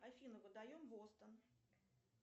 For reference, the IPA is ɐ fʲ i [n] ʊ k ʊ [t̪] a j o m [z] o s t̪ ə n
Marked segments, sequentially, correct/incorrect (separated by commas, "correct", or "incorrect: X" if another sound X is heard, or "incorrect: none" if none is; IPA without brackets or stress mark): correct, incorrect: d̪, incorrect: v